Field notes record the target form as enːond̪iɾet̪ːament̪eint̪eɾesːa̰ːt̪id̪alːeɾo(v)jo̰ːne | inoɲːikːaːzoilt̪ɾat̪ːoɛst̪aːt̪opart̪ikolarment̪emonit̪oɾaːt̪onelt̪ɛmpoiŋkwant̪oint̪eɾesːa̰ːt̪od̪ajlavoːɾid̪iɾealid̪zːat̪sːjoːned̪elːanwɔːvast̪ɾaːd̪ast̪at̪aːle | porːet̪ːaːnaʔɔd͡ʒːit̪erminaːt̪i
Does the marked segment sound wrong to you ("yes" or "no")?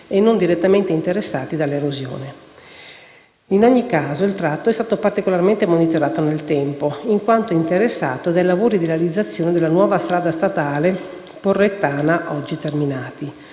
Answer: yes